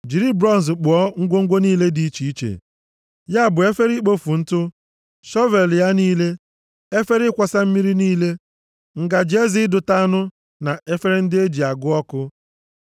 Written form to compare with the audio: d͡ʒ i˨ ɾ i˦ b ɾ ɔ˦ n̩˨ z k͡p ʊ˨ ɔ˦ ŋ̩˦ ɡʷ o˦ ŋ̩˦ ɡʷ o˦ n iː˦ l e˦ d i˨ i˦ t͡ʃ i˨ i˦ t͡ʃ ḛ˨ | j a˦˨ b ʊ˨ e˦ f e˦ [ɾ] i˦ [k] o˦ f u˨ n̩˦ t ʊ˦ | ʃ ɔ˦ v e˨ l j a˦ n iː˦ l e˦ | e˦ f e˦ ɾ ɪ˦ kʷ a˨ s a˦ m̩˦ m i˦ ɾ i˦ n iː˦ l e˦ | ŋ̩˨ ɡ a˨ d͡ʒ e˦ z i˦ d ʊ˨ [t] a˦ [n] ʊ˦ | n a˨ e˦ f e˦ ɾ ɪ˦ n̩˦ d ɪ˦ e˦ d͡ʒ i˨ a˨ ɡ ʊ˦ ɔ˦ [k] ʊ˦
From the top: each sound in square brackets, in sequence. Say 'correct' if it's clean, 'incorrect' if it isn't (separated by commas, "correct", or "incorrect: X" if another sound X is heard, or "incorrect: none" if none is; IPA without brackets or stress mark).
correct, incorrect: k͡p, correct, correct, correct